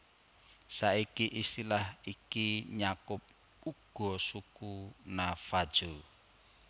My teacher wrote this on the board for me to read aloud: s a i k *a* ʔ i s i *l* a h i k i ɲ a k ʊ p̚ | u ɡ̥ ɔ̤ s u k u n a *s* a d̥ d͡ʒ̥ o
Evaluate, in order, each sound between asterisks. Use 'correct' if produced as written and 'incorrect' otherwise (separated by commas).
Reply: incorrect, correct, incorrect